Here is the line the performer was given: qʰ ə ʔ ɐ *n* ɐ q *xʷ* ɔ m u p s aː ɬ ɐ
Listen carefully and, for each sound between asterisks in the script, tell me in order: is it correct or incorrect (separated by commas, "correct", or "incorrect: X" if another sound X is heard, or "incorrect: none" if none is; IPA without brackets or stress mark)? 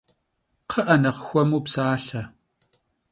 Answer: correct, correct